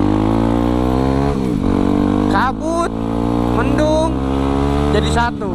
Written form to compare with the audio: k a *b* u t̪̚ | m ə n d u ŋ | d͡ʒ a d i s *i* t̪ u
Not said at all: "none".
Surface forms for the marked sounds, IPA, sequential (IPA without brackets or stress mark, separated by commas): b, a